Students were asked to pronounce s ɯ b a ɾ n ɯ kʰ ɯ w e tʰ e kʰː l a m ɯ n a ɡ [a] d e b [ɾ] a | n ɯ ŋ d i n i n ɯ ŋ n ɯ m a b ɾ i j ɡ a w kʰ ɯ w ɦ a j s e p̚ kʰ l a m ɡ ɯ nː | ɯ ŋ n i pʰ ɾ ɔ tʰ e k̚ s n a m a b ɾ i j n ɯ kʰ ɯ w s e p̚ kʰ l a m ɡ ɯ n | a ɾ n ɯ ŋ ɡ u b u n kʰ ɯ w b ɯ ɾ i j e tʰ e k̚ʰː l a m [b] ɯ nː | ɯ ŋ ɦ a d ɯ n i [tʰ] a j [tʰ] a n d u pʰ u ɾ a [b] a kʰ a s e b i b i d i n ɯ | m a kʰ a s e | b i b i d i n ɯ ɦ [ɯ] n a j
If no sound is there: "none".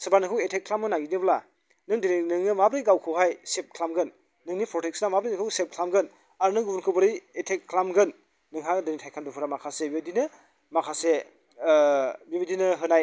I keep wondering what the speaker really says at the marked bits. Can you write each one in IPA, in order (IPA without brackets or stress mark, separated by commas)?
i, l, ɡ, tʰ, kʰ, m, ɯ